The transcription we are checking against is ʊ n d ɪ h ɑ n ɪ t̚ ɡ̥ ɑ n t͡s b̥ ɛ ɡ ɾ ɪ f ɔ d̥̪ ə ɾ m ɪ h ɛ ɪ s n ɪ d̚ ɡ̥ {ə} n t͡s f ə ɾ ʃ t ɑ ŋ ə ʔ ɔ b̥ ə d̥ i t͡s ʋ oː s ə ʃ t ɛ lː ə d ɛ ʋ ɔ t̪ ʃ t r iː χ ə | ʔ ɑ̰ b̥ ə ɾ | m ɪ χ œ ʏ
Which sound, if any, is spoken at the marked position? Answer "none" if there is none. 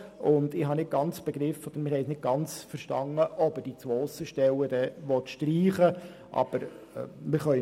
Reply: ɑ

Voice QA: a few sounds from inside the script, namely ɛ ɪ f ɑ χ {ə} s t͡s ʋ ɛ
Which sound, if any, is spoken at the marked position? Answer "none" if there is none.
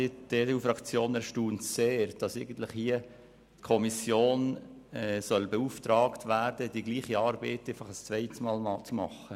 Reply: ə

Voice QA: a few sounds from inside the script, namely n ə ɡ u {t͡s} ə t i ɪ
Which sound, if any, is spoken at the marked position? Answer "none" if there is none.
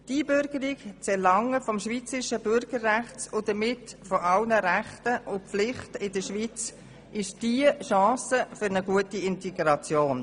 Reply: none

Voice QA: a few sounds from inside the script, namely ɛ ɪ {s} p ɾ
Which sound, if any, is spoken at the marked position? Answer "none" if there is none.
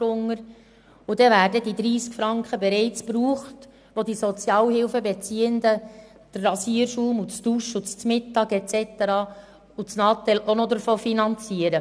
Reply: t͡s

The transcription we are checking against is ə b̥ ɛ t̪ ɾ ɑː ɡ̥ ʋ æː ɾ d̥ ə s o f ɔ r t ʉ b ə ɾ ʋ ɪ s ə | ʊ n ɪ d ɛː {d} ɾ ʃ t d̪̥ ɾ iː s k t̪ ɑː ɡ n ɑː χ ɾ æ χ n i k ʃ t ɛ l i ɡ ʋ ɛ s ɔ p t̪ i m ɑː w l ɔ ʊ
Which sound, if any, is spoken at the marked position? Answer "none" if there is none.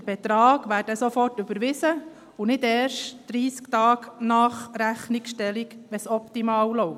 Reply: none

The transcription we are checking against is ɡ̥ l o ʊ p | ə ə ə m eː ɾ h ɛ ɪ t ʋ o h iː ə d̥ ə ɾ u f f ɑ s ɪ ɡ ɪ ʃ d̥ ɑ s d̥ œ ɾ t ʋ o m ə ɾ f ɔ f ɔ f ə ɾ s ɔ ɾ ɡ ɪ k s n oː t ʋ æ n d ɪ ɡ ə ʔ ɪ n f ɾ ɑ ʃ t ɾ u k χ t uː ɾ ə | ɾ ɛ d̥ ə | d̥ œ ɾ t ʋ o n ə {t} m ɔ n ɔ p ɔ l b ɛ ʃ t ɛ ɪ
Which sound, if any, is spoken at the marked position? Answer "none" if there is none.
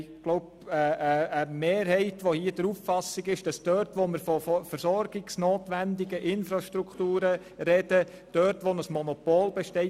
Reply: s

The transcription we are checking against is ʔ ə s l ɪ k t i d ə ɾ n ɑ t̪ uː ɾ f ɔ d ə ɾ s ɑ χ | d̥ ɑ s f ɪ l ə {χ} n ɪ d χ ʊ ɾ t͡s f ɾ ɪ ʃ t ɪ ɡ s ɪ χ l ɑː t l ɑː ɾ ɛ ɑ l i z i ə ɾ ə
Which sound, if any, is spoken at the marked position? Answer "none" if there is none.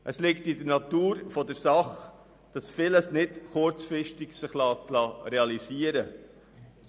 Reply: s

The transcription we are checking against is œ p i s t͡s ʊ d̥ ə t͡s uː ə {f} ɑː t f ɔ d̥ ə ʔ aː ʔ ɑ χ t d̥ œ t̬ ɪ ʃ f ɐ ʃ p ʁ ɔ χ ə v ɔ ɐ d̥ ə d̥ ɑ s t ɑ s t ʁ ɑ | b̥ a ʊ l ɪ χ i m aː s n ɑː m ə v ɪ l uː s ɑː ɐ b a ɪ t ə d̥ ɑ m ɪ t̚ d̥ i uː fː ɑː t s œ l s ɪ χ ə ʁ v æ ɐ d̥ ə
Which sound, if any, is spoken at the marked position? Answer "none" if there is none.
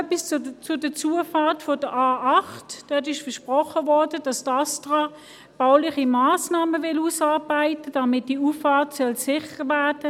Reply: f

